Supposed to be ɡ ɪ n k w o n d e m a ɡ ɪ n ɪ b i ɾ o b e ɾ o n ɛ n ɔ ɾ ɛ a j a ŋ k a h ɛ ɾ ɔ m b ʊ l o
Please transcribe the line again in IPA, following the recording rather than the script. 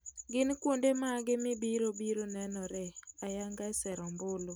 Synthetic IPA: ɡ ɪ n k w o n d e m a ɡ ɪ m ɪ b i ɾ o b i ɾ o n ɛ n ɔ ɾ ɛ a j a ŋ ɡ a s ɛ ɾ ɔ m b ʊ l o